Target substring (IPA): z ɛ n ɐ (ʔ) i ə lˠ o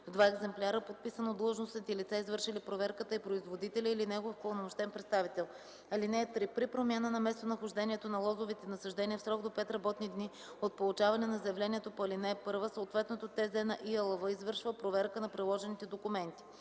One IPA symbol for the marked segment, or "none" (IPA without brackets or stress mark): ʔ